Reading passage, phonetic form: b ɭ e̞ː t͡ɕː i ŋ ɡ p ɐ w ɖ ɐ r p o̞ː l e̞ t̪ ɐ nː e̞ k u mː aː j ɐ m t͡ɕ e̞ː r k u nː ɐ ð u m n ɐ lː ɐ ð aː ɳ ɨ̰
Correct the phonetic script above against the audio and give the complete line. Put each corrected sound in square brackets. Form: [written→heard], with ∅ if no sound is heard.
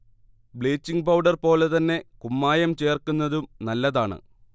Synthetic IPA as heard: b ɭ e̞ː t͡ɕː i ŋ ɡ p ɐ w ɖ ɐ r p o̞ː l e̞ t̪ ɐ nː e̞ k u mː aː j ɐ m t͡ɕ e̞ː r k u nː ɐ ð u m n ɐ lː ɐ ð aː ɳ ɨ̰